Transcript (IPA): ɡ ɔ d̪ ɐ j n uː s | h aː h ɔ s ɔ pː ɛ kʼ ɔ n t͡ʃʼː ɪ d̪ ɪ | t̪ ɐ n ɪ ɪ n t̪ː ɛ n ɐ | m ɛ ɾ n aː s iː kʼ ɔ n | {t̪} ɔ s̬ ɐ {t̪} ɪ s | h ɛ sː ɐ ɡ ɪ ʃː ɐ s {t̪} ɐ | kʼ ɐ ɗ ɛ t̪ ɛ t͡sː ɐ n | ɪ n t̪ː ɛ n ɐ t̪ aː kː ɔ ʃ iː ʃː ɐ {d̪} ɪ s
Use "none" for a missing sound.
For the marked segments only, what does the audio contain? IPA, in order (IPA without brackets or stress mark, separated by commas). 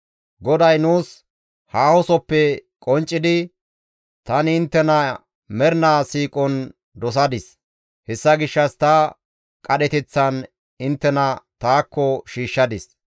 d̪, d̪, t̪, d̪